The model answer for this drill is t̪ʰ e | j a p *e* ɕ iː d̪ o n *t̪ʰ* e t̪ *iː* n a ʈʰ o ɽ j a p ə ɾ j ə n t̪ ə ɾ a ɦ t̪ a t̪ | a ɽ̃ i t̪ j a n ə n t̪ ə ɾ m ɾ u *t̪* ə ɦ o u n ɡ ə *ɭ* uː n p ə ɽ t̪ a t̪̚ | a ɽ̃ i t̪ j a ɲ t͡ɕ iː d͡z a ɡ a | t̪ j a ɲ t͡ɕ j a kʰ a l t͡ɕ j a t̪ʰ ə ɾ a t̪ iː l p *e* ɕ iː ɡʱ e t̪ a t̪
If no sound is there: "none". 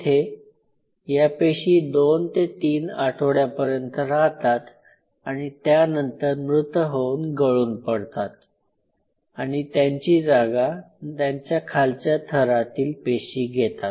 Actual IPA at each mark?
e, t̪, iː, t̪, ɭ, e

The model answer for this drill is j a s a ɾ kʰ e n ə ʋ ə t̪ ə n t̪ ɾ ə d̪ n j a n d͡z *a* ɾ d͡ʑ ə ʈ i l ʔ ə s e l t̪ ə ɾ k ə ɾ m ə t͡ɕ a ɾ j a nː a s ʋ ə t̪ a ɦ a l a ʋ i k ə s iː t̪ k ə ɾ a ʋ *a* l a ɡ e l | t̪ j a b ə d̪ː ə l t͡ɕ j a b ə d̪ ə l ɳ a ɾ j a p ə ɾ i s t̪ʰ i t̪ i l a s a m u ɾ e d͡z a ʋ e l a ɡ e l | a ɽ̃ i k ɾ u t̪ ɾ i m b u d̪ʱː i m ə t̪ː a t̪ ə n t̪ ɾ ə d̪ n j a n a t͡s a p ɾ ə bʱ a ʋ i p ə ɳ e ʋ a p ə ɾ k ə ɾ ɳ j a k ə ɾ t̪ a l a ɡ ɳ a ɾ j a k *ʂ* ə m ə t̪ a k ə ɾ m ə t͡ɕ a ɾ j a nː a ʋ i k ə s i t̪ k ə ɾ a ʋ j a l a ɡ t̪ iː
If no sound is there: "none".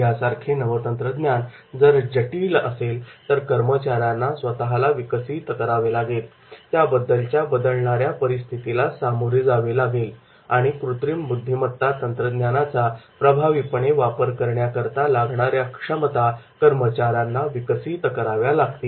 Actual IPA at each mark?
ə, e, ʂ

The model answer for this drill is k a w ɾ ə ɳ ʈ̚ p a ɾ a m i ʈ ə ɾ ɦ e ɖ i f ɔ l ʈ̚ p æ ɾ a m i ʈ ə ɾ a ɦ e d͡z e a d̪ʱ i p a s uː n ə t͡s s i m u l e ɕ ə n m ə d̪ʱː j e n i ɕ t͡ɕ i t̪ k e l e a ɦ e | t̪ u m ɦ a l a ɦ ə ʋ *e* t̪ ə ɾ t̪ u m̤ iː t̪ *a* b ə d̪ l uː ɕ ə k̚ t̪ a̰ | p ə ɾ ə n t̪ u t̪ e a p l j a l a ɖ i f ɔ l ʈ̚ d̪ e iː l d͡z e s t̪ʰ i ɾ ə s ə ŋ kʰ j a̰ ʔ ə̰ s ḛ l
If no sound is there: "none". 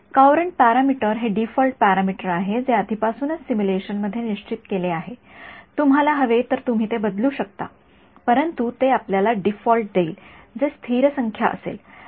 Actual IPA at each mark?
e, e

